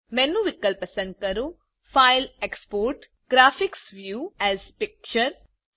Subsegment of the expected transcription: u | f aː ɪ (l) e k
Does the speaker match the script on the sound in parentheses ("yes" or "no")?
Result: yes